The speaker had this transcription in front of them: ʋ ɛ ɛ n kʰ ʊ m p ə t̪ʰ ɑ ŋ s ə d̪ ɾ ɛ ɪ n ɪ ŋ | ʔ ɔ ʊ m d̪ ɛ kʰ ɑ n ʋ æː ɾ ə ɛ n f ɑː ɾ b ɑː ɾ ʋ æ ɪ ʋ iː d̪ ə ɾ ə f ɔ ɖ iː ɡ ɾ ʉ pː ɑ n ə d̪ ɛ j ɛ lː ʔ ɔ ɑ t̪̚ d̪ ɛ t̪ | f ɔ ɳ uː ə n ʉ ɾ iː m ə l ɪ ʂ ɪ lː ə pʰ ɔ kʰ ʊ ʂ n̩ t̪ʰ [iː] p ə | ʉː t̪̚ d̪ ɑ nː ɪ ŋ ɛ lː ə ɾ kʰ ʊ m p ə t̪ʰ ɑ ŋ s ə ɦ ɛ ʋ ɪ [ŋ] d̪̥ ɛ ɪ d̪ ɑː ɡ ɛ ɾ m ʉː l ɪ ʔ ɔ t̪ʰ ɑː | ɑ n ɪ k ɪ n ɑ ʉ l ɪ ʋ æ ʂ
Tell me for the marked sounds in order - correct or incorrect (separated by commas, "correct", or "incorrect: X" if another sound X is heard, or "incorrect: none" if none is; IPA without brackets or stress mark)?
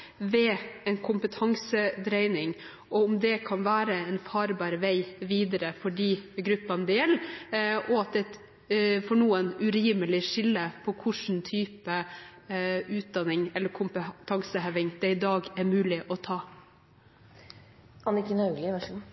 incorrect: yː, correct